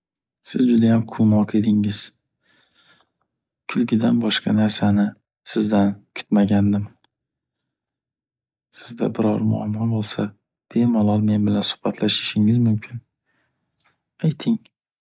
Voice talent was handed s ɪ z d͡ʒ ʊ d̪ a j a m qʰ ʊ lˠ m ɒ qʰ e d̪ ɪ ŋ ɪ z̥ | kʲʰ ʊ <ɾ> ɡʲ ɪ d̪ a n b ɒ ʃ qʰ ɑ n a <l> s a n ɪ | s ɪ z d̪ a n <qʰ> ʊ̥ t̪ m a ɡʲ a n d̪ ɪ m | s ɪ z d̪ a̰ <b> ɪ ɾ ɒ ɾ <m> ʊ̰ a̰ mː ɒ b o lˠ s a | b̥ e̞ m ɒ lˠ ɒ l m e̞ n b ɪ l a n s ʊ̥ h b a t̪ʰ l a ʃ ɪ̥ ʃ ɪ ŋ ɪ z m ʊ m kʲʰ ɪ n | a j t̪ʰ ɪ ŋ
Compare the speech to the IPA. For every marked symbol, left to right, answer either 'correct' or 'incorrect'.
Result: incorrect, incorrect, incorrect, correct, correct

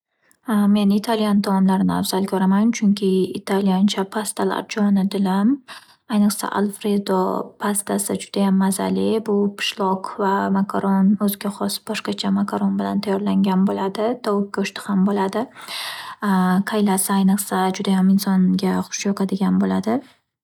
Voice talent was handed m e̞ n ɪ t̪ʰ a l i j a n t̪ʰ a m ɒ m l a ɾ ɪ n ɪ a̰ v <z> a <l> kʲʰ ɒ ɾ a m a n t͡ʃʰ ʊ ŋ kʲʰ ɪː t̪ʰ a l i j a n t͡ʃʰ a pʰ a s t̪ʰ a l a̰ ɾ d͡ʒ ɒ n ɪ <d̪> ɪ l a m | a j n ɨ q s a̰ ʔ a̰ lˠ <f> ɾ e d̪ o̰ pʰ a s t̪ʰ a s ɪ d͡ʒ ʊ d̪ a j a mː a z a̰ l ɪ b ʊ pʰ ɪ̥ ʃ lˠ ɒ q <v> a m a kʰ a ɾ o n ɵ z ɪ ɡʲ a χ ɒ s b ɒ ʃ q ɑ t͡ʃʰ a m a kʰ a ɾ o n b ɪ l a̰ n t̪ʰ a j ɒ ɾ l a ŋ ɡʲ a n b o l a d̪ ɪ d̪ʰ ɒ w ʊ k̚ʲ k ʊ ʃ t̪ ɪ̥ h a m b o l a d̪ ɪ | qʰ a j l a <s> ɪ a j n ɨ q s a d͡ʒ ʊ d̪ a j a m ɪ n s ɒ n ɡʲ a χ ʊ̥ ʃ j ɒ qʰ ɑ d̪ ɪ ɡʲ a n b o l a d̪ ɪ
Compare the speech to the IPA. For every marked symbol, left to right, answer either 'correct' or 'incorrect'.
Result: correct, correct, correct, correct, correct, correct

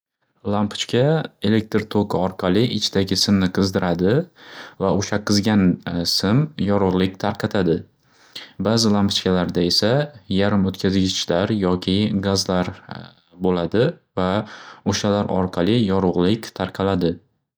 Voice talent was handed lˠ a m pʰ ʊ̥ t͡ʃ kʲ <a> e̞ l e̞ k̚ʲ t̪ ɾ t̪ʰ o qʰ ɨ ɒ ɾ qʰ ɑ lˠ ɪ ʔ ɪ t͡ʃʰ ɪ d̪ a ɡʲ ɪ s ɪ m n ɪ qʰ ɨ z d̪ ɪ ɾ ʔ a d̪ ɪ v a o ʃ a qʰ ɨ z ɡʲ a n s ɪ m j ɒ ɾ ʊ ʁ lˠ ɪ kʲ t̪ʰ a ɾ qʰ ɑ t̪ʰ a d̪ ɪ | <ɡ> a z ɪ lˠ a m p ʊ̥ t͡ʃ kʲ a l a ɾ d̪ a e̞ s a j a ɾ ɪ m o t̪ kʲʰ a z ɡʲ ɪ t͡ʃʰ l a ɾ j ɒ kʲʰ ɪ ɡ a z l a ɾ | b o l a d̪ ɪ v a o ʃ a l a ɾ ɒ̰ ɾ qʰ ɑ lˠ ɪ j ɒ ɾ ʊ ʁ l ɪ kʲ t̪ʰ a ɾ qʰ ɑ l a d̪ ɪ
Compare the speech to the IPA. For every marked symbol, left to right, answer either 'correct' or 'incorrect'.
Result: correct, incorrect

